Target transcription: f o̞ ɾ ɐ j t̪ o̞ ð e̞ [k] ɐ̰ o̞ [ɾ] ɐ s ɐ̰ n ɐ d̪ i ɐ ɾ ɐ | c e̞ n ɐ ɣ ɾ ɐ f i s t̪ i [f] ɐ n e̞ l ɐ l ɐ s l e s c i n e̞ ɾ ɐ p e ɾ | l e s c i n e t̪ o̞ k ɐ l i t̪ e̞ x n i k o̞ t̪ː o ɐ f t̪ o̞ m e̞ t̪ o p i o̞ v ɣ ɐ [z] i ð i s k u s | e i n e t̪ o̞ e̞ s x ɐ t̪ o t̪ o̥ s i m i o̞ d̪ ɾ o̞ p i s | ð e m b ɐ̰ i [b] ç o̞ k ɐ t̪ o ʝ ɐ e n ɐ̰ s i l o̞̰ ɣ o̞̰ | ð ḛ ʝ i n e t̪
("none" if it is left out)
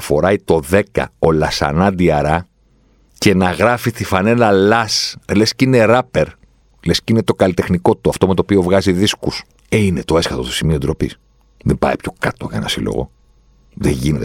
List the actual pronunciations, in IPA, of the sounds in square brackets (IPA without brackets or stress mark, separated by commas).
k, l, f, z, p